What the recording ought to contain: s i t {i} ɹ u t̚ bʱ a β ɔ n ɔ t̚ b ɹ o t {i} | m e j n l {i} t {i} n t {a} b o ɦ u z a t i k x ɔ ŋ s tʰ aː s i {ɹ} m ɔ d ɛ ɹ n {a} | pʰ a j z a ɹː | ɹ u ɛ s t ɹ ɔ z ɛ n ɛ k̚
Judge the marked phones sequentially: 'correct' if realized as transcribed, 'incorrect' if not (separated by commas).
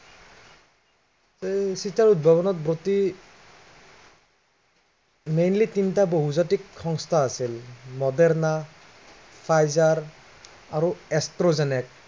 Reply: incorrect, correct, correct, correct, correct, incorrect, correct